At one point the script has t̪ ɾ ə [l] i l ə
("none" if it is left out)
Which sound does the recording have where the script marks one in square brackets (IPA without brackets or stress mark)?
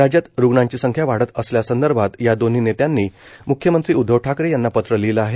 l